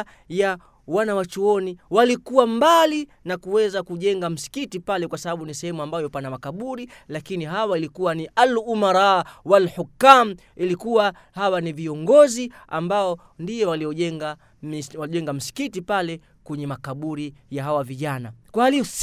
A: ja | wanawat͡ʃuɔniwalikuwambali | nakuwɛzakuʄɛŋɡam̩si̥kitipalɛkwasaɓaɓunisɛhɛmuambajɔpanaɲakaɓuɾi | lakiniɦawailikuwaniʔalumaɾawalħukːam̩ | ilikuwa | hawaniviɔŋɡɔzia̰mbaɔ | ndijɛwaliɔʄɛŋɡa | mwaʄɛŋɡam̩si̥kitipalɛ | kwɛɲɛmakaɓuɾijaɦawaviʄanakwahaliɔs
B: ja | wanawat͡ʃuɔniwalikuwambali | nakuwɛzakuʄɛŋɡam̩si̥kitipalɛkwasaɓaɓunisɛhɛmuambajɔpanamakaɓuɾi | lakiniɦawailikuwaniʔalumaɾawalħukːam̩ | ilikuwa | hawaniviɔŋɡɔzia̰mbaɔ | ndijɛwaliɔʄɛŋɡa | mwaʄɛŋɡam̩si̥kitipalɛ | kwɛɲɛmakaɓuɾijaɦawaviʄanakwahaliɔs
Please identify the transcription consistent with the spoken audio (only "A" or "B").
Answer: B